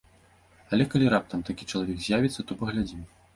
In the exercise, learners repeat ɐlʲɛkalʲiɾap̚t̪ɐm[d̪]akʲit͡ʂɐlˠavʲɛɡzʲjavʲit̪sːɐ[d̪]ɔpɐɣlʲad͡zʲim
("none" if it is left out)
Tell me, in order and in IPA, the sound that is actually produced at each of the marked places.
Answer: t̪, t̪

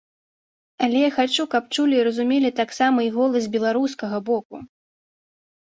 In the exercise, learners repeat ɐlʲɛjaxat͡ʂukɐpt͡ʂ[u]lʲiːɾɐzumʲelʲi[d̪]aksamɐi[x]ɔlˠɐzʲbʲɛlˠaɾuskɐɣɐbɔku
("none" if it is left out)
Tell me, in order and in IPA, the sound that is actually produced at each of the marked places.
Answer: u, t̪, ɣ

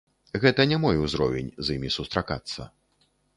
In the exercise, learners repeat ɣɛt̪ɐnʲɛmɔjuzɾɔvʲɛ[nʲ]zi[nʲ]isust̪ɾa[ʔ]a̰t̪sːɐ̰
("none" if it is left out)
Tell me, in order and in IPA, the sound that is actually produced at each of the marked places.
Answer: nʲ, mʲ, k

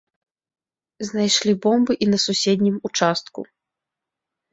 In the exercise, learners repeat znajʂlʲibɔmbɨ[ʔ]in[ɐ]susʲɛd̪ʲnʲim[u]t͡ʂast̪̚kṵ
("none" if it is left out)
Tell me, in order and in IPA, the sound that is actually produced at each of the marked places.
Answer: ʔ, ɐ, u

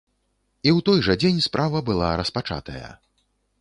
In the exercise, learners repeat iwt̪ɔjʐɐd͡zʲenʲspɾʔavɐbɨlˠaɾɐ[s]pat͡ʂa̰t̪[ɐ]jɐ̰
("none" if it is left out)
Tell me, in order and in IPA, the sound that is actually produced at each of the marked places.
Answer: s, ɐ

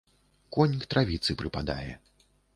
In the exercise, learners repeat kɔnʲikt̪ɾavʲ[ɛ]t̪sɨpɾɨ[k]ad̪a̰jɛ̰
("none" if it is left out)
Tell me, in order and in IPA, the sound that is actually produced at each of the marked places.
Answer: i, p

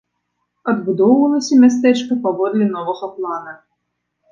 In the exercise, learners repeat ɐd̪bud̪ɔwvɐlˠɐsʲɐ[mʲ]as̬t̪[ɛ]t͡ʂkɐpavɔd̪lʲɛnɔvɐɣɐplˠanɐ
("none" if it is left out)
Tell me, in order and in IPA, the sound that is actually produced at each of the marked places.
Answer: mʲ, ɛ

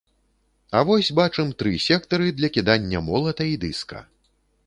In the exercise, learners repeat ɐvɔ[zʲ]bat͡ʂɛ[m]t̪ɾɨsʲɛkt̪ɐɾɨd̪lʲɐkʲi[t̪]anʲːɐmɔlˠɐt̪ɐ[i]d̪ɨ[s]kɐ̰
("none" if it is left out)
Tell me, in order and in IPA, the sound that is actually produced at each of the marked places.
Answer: sʲ, m, d̪, i, s

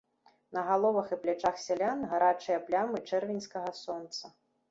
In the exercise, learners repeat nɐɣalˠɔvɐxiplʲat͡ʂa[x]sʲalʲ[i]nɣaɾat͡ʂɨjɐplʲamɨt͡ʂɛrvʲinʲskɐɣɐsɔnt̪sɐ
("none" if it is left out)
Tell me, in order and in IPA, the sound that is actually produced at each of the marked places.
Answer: x, a

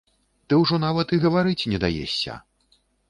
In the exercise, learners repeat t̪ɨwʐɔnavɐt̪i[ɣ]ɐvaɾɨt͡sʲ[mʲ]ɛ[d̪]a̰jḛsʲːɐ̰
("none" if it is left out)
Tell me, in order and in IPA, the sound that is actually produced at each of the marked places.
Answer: ɣ, nʲ, d̪

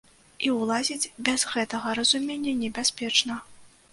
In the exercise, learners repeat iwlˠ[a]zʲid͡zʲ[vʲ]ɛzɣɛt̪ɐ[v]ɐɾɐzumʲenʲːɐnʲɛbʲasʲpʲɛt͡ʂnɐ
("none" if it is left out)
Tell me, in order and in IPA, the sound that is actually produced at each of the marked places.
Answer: a, bʲ, ɣ

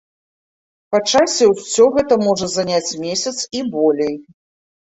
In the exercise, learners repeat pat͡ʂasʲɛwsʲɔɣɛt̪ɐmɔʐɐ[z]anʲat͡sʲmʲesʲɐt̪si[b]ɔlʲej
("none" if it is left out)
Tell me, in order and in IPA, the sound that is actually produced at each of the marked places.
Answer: z, b

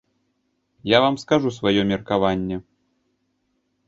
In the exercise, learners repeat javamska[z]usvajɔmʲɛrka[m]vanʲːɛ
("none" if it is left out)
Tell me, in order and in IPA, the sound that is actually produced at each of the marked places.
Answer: ʐ, none

